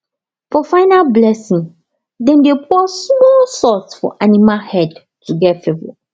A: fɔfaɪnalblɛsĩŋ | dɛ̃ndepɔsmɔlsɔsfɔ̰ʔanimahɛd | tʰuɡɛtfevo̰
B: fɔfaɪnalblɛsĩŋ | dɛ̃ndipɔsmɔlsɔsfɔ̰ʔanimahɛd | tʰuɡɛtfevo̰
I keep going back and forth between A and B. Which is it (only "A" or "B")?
A